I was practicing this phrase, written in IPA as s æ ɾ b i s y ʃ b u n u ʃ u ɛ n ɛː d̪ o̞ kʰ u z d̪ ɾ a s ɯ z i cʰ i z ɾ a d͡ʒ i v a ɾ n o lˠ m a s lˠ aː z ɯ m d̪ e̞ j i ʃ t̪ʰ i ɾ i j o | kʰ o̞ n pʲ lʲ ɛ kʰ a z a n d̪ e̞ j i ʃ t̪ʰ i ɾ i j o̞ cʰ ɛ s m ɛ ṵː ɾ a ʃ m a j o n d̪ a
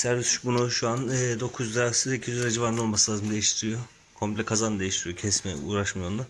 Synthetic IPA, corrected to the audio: s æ ɾ v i s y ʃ b u n u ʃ u a n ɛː d̪ o̞ kʰ u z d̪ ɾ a s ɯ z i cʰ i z ɾ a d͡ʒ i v a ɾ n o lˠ m a s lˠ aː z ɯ m d̪ e̞ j i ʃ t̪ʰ i ɾ i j o | kʰ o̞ m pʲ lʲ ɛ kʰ a z a n d̪ e̞ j i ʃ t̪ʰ i ɾ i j o̞ cʰ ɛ s m ɛ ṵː ɾ a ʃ m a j o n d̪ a